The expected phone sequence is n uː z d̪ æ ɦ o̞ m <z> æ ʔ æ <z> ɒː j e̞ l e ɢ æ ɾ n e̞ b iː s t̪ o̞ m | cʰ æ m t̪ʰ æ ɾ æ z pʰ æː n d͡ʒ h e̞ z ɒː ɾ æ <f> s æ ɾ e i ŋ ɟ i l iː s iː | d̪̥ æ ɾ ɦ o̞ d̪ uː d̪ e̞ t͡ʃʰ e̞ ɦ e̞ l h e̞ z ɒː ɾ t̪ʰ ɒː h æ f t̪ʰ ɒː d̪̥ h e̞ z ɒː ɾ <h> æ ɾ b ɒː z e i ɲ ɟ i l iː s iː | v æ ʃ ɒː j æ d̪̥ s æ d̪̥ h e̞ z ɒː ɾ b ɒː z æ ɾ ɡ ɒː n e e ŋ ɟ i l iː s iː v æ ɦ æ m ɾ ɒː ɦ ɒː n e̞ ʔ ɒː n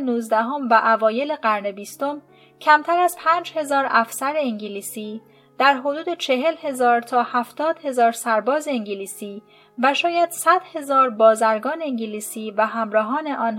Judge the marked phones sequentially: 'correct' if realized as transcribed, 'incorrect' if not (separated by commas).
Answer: incorrect, incorrect, correct, incorrect